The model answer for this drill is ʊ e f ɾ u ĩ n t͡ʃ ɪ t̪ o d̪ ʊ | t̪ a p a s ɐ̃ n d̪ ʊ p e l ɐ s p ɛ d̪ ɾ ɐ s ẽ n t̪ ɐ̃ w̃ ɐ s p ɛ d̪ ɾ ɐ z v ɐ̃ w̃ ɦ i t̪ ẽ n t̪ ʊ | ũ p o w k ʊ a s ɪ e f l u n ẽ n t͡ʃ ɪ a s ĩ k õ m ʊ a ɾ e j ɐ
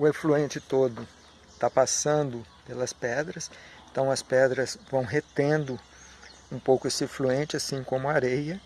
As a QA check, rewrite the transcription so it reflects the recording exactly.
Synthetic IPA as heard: ʊ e f l u ẽ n t͡ʃ ɪ t̪ o d̪ ʊ | t̪ a p a s ɐ̃ n d̪ ʊ p e l ɐ s p ɛ d̪ ɾ ɐ s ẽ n t̪ ɐ̃ w̃ ɐ s p ɛ d̪ ɾ ɐ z v ɐ̃ w̃ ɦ e t̪ ẽ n d̪ ʊ | ũ p o w k ʊ e s ɪ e f l u ẽ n t͡ʃ ɪ a s ĩ k õ m ʊ a ɾ e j ɐ